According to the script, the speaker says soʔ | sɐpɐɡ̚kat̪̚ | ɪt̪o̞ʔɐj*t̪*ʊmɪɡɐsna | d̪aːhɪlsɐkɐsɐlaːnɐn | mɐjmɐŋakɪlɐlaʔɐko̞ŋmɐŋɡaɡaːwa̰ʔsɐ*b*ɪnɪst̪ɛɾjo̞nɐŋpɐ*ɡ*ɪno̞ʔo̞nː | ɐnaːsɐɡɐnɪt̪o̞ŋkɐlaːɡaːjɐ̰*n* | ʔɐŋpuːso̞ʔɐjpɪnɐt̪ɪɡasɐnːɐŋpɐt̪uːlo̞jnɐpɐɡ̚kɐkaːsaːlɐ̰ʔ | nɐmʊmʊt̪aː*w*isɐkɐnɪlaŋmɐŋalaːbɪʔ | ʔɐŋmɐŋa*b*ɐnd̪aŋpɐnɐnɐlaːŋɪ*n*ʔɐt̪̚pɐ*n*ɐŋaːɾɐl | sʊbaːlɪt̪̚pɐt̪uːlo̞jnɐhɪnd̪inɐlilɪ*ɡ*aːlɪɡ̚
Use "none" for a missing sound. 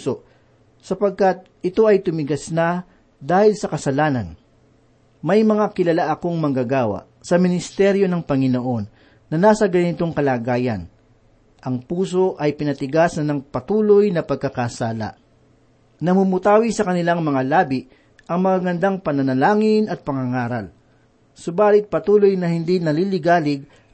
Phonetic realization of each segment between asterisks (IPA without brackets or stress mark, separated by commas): t̪, m, ŋ, n, w, ɡ, n, ŋ, ɡ